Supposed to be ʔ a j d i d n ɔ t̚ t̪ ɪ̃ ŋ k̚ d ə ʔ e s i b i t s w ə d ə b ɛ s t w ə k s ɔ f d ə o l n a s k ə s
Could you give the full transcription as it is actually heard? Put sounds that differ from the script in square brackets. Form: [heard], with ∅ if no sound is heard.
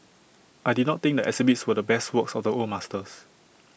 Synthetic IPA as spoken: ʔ a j d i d n ɔ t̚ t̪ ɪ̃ ŋ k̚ d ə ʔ [ɛ] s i b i t s w ə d ə b ɛ s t w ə k s ɔ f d ə o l [m] a s [t] ə s